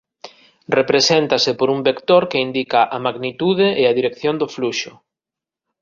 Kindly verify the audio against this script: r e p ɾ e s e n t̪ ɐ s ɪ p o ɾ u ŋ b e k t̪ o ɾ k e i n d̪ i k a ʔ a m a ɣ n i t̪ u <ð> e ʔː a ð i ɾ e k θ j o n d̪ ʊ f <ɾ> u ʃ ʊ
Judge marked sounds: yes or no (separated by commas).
yes, no